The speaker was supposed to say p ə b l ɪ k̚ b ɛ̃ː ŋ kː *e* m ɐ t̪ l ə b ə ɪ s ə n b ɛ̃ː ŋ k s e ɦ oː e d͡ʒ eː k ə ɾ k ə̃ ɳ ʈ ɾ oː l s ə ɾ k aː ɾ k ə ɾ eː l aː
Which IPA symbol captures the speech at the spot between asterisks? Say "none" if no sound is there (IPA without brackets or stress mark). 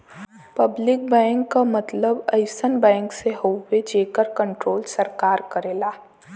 a